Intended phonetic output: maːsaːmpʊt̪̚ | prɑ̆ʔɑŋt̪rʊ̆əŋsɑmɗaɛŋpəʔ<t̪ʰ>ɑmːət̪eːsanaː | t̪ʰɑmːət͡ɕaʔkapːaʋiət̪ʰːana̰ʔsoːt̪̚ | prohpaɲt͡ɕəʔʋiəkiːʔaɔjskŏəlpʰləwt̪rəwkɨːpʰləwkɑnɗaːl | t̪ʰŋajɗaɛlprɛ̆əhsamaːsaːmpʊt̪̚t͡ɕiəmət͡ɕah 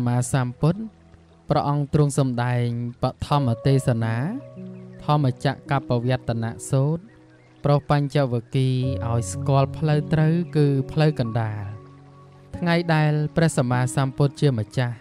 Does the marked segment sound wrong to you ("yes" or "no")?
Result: no